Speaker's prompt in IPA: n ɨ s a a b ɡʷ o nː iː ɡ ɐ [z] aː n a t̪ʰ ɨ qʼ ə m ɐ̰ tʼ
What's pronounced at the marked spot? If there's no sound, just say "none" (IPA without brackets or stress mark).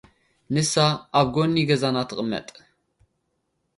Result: z